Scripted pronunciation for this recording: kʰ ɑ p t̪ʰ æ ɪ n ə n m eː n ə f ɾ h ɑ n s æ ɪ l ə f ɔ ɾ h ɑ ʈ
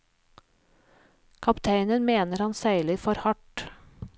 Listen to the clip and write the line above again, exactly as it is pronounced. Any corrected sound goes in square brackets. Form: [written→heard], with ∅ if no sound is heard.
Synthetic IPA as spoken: kʰ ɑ p t̪ʰ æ ɪ n ə n m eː n ə [f→∅] ɾ h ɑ n s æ ɪ l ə f ɔ ɾ h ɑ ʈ